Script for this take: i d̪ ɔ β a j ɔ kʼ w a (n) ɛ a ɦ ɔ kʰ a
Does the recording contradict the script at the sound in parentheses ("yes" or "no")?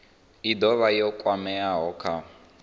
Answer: yes